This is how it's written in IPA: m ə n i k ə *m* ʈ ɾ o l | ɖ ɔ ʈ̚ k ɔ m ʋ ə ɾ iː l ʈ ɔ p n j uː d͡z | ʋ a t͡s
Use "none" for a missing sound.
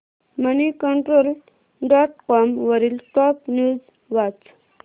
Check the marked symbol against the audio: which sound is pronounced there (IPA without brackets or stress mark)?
ɳ